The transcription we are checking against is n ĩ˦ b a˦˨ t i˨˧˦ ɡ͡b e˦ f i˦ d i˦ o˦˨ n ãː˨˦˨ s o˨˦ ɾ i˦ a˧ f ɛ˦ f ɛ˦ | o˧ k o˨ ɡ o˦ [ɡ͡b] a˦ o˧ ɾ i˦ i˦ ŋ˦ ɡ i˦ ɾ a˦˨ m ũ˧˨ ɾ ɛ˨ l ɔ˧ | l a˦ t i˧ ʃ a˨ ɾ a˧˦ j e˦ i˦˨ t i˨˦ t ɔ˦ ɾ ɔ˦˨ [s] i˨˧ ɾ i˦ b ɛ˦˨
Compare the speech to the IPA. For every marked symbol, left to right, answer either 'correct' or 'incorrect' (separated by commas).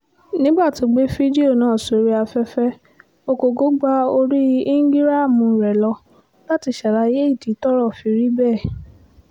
correct, incorrect